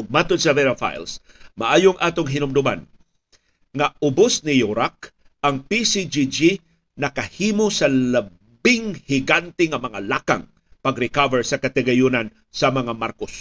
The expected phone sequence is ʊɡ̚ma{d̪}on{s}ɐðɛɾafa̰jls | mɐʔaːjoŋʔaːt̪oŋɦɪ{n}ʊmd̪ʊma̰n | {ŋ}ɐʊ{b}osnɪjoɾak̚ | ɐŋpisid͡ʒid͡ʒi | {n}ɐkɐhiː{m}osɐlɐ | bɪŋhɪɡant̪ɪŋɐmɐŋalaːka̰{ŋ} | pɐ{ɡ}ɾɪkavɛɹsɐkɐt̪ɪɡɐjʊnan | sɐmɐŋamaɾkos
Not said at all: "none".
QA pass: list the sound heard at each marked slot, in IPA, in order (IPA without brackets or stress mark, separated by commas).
t̪, s, n, ŋ, b, n, m, ŋ, ɡ